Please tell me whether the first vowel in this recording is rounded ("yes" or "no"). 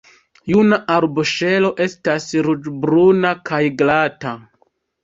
yes